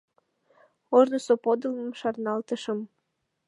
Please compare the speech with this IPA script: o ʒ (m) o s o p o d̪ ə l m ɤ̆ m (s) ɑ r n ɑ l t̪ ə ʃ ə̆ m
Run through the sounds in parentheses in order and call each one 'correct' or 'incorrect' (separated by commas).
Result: incorrect, incorrect